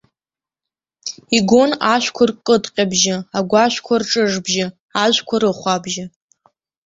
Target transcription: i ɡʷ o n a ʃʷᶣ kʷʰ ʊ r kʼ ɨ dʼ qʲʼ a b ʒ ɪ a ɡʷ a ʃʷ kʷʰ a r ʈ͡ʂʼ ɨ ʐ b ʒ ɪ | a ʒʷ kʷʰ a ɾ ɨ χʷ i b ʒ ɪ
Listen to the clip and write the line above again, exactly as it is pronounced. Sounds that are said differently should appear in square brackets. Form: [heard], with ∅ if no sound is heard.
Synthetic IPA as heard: i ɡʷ o n a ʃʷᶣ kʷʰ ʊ r kʼ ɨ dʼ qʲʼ a b ʒ ɪ a ɡʷ a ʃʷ kʷʰ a r ʈ͡ʂʼ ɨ ʐ b ʒ ɪ | a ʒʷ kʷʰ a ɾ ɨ χʷ [a] b ʒ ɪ